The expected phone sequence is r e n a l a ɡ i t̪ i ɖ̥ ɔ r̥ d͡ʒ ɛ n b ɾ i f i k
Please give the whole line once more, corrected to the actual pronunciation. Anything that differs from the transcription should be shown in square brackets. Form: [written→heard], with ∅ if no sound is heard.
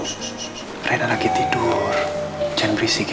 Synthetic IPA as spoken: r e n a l a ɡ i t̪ i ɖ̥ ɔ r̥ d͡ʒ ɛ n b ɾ i [f→s] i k